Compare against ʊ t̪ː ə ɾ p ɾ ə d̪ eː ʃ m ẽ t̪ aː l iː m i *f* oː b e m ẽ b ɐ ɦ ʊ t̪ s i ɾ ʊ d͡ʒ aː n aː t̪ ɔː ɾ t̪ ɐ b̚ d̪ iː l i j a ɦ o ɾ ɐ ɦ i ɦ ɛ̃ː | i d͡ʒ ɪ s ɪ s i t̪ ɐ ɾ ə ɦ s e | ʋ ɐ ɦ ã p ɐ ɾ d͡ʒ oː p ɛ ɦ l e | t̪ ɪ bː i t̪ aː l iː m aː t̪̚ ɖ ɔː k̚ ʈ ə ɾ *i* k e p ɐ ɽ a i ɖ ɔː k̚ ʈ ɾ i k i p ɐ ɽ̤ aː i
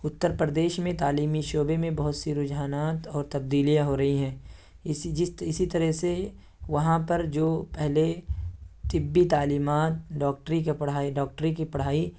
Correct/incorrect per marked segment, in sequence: incorrect: ʃ, correct

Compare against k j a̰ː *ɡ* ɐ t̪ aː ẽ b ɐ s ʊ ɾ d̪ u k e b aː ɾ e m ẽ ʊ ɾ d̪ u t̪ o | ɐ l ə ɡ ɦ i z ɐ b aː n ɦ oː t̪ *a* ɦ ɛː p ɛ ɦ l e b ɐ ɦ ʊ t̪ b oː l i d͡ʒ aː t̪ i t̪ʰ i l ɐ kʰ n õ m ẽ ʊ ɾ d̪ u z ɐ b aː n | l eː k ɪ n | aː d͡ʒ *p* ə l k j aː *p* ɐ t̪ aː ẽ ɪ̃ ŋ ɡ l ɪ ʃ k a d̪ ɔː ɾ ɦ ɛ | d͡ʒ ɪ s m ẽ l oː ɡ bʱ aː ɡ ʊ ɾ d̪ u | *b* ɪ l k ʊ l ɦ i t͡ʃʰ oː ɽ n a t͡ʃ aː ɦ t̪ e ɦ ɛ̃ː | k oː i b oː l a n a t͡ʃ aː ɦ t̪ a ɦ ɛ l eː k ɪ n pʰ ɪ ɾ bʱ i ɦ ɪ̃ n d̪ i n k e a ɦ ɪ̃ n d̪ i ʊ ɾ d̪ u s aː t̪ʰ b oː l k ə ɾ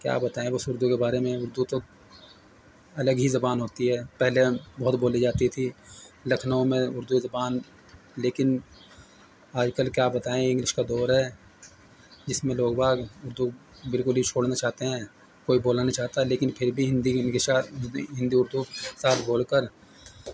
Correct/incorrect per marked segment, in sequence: incorrect: b, incorrect: i, incorrect: k, incorrect: b, correct

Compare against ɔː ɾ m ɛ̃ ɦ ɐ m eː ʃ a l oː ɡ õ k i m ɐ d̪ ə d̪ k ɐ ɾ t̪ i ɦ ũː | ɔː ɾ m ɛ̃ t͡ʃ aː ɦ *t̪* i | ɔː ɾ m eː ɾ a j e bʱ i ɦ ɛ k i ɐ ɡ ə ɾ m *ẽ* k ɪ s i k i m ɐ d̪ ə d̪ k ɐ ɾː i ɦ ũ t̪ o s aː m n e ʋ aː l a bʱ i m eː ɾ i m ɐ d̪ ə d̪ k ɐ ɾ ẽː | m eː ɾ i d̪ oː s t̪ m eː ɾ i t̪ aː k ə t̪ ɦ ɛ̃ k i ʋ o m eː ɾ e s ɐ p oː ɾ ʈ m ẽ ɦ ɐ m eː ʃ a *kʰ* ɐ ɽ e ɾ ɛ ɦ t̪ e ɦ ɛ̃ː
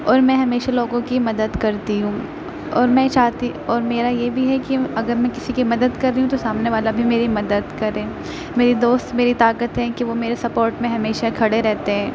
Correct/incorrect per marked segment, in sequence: correct, incorrect: ɛ̃, correct

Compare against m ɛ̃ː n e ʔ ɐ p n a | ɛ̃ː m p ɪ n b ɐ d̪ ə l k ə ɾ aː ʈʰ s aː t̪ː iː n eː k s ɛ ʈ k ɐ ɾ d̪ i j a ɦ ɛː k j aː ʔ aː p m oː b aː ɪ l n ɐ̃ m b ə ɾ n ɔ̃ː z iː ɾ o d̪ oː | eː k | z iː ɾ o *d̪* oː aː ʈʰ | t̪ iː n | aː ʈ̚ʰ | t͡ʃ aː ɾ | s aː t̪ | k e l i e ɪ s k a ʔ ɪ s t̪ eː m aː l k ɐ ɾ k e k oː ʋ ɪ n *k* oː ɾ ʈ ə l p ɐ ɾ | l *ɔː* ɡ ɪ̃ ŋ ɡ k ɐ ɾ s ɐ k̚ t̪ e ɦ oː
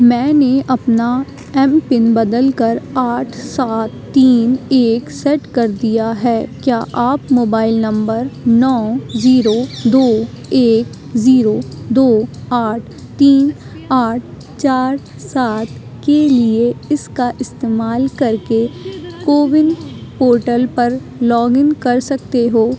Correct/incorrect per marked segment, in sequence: correct, incorrect: p, correct

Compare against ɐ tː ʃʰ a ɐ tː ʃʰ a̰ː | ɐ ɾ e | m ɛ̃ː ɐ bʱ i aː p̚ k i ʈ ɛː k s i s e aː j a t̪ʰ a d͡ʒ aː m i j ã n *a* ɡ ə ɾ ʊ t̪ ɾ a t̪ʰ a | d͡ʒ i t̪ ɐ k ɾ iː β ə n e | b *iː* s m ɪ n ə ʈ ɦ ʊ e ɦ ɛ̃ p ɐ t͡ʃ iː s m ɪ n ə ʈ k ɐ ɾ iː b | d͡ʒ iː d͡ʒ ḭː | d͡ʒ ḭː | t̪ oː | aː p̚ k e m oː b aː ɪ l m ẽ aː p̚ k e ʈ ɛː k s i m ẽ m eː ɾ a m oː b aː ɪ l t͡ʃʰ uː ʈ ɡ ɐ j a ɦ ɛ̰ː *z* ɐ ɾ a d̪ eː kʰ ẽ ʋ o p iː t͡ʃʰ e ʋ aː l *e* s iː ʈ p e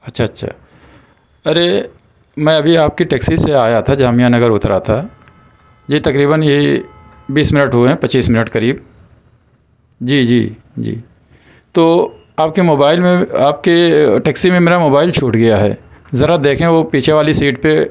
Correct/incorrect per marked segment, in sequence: incorrect: ɐ, correct, correct, incorrect: i

